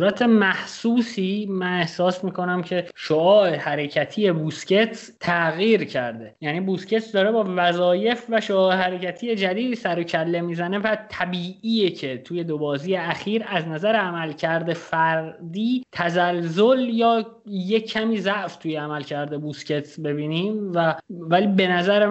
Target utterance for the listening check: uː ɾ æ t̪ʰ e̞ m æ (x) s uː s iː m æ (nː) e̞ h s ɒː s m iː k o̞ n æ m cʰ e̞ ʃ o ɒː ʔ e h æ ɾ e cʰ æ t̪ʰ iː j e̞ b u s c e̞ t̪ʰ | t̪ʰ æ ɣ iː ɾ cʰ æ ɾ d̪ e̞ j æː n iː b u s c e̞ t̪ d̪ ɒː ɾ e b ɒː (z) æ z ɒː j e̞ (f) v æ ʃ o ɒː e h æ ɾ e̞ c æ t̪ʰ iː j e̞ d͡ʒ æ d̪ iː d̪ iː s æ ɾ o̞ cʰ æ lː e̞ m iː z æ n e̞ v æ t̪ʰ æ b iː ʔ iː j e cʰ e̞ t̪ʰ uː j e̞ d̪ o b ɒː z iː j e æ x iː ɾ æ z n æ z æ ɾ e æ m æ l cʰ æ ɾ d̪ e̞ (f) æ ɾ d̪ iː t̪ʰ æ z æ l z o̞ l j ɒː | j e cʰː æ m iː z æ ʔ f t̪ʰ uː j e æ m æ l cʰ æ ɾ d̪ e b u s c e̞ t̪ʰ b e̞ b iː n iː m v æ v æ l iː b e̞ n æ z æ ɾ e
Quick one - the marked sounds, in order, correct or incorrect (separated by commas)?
incorrect, incorrect, incorrect, correct, correct